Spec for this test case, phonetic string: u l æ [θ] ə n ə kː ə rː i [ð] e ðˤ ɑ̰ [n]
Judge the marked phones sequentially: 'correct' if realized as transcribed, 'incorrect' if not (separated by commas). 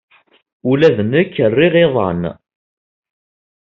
incorrect, incorrect, correct